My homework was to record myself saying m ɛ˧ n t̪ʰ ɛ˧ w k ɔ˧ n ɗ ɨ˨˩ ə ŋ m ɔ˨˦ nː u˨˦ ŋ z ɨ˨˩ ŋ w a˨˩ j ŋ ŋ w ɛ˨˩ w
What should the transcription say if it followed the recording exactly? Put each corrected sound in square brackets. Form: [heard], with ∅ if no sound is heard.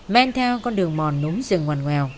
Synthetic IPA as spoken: m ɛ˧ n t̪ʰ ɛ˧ w k ɔ˧ n ɗ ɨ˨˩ ə ŋ m [ɔ˨˩] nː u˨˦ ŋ z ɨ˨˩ ŋ w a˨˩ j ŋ ŋ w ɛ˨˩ w